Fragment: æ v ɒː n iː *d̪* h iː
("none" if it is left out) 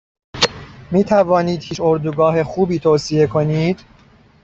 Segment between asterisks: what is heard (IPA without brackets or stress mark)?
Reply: d̪